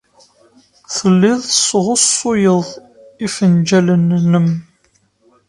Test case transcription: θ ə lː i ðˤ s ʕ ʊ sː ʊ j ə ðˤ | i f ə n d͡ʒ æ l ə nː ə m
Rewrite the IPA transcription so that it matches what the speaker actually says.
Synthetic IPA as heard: θ ə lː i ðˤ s ʁ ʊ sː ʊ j ə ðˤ | i f ə n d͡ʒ æ l ə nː ə m